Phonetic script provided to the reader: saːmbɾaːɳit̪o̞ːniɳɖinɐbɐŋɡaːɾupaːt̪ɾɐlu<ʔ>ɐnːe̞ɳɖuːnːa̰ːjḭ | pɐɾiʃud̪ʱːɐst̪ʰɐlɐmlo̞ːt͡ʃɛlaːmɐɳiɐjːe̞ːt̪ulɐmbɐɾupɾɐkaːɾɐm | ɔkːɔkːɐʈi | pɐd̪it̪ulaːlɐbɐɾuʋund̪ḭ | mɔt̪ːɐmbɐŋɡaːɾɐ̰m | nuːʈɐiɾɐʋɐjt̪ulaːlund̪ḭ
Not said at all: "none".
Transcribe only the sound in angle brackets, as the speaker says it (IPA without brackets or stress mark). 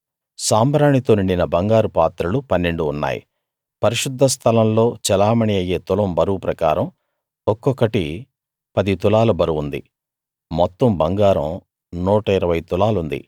p